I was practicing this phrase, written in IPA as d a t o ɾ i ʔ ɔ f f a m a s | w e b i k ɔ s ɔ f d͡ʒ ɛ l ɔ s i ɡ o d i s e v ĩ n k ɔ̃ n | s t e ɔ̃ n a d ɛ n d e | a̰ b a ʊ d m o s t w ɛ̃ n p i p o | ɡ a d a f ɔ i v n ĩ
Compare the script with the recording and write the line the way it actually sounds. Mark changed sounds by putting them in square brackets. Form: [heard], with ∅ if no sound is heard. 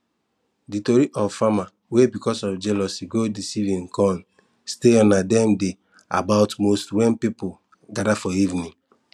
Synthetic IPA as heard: d [i] t o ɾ i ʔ ɔ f f a m a [∅] | w e b i k ɔ s ɔ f d͡ʒ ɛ l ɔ s i ɡ o d i s [i] v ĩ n k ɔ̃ n | s t e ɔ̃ n a d ɛ [m] d e | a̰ b a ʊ [t] m o s t w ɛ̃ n p i p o | ɡ a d a f ɔ i v n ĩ